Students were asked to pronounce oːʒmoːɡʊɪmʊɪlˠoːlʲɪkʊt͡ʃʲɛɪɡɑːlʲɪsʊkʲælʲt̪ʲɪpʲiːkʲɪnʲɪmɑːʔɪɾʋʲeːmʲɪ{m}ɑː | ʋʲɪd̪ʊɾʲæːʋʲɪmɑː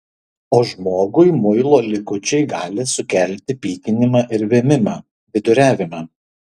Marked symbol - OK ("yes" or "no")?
yes